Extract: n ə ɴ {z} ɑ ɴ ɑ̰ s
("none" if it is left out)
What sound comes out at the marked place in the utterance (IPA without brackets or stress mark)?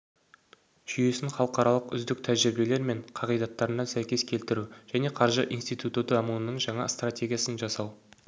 ʒ